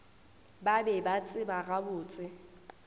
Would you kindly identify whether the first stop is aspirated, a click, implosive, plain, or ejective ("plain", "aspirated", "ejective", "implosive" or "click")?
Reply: plain